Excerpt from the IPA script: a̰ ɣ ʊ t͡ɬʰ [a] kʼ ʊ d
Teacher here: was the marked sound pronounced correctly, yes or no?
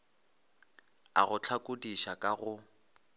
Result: yes